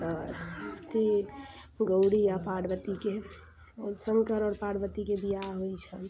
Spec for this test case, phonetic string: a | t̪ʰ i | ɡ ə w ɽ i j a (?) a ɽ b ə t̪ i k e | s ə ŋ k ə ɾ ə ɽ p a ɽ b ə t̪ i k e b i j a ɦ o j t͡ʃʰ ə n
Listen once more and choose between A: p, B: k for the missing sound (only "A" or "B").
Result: A